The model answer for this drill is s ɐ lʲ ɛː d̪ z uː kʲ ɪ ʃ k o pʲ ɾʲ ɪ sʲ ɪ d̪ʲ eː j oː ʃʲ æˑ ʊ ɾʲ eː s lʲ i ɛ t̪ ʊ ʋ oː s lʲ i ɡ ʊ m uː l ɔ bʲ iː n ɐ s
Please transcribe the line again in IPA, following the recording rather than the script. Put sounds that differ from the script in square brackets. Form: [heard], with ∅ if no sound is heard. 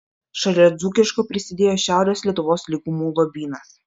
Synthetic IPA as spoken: [ʃ] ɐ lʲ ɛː d̪ z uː kʲ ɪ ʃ k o pʲ ɾʲ ɪ sʲ ɪ d̪ʲ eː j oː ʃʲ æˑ ʊ ɾʲ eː s lʲ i ɛ t̪ ʊ ʋ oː s lʲ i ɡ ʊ m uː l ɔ bʲ iː n ɐ s